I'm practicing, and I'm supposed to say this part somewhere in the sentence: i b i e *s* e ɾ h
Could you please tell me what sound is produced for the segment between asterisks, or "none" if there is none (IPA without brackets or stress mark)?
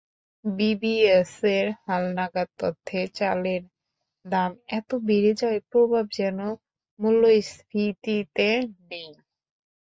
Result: s